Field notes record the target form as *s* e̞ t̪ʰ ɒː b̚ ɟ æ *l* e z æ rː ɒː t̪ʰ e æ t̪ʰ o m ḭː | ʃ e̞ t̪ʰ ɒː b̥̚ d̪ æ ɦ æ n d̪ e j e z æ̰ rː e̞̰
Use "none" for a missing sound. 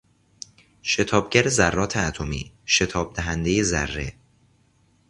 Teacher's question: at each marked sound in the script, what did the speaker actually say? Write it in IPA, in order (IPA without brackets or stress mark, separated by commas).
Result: ʃ, ɾ